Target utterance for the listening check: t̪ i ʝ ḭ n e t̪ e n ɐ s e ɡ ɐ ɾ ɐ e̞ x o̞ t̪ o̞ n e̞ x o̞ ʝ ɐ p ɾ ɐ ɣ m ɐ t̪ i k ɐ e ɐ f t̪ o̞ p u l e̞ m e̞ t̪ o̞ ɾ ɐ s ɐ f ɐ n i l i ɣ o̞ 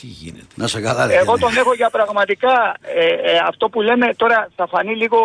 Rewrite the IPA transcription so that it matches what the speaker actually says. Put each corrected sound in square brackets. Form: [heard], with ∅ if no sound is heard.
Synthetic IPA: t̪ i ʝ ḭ n e t̪ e n ɐ s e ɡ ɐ [l] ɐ e̞ [ɣ] o̞ t̪ o̞ n e̞ x o̞ ʝ ɐ p ɾ ɐ ɣ m ɐ t̪ i k ɐ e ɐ f t̪ o̞ p u l e̞ m e̞ t̪ o̞ ɾ ɐ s ɐ f ɐ n i l i ɣ o̞